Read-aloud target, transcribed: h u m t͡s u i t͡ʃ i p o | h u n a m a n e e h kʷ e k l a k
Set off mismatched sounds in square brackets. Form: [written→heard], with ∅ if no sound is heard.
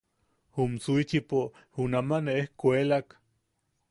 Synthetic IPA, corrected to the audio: h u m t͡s u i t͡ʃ i p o | h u n a m a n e e h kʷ e [k→∅] l a k